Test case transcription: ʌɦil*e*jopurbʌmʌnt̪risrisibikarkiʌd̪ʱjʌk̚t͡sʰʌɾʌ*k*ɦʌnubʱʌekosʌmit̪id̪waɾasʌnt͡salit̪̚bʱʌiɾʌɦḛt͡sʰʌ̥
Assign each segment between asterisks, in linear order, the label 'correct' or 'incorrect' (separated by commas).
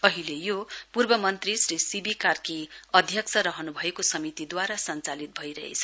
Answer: correct, incorrect